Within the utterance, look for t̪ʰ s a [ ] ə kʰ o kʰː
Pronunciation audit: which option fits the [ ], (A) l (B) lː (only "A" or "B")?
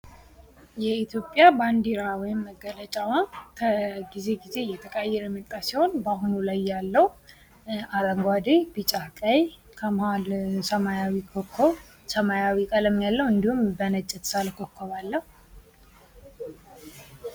A